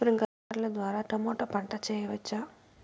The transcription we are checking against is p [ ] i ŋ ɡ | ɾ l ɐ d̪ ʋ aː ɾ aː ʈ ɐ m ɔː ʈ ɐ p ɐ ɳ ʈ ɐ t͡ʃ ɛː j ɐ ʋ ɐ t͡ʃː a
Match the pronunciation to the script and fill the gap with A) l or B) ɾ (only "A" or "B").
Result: B